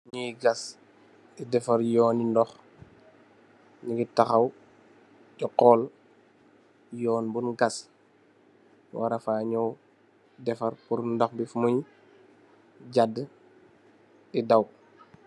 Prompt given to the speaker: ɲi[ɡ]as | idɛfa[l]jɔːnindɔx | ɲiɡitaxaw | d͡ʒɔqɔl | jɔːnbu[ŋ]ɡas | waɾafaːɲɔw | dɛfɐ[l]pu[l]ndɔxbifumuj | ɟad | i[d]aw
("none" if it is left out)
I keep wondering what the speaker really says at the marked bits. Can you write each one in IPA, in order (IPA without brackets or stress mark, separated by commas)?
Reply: ɡ, ɾ, n, ɾ, ɾ, d